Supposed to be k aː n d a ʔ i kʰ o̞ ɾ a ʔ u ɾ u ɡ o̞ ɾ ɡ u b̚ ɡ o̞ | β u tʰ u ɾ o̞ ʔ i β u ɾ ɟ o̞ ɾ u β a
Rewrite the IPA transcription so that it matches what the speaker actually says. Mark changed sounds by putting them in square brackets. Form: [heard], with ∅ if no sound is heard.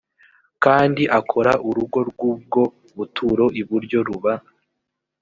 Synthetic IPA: k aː n d [i] ʔ [a] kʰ o̞ ɾ a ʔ u ɾ u ɡ o̞ ɾ ɡ u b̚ ɡ o̞ | β u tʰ u ɾ o̞ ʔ i β u ɾ ɟ o̞ ɾ u β a